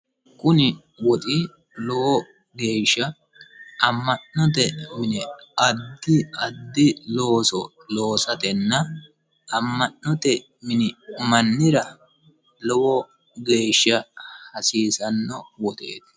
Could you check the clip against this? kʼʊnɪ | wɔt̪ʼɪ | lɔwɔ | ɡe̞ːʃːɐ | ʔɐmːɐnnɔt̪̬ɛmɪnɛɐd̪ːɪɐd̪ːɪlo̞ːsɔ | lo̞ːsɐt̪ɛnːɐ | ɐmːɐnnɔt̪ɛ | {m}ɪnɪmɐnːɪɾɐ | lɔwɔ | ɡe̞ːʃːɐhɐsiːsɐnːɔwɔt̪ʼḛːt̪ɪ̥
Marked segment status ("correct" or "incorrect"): correct